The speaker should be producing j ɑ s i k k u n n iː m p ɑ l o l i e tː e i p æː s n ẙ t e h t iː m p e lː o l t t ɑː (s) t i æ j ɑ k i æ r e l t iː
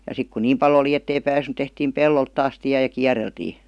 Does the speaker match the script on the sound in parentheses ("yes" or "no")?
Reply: yes